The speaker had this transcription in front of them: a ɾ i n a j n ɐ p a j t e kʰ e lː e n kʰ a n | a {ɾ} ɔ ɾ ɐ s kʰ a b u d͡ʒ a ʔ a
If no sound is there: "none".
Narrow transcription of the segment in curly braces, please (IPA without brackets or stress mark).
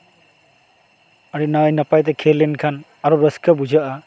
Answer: ɾ